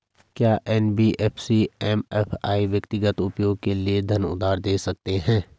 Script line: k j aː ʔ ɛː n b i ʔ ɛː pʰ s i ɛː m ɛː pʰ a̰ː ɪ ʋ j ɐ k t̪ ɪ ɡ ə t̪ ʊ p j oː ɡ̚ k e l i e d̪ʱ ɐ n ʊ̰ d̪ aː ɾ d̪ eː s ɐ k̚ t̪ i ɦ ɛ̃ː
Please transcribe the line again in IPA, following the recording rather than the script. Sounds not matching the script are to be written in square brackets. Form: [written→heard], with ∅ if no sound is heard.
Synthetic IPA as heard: k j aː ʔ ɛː n b i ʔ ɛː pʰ s i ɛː m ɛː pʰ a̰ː [ɪ→i] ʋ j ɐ k t̪ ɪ ɡ ə t̪ ʊ p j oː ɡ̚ k e l i e d̪ʱ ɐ n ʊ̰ d̪ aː ɾ d̪ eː s ɐ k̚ t̪ [i→e] ɦ ɛ̃ː